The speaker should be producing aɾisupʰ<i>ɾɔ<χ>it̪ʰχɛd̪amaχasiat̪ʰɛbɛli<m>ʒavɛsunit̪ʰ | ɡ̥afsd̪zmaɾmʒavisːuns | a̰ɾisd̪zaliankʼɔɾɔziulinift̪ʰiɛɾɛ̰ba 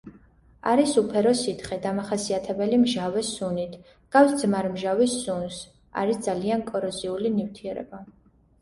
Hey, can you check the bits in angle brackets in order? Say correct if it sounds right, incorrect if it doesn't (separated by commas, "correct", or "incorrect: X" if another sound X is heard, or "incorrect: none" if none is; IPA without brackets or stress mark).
incorrect: ɛ, incorrect: s, correct